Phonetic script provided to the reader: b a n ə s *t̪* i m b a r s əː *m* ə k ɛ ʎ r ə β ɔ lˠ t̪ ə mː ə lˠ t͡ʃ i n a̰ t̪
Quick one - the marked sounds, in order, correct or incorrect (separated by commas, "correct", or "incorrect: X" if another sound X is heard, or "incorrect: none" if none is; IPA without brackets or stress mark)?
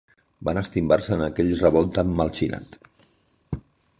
correct, incorrect: n